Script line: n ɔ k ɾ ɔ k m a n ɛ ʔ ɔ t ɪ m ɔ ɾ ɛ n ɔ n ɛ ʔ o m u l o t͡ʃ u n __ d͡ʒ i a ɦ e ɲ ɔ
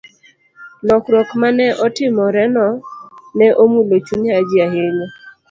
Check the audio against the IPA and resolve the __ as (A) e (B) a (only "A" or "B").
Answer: B